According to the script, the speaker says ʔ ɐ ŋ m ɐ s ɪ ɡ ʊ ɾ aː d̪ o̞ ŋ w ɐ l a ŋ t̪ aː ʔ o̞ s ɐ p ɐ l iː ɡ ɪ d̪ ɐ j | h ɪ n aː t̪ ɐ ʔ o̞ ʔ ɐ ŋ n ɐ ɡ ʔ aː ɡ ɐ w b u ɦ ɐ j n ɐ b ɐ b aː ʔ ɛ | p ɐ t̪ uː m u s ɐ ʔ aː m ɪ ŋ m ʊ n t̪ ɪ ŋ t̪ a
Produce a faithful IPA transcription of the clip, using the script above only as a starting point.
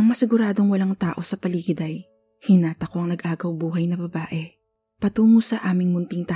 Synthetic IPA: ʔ ɐ ŋ m ɐ s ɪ ɡ ʊ ɾ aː d̪ o̞ ŋ w ɐ l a ŋ t̪ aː ʔ o̞ s ɐ p ɐ l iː ɡ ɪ d̪ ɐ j | h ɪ n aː t̪ ɐ k o̞ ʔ ɐ ŋ n ɐ ɡ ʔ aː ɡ ɐ w b uː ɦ ɐ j n ɐ b ɐ b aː ʔ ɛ | p ɐ t̪ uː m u s ɐ ʔ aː m ɪ ŋ m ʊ n t̪ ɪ ŋ t̪ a